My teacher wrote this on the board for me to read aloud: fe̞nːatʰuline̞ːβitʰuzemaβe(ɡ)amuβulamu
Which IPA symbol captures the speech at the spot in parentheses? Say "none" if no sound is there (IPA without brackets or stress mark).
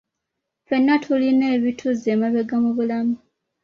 ɡ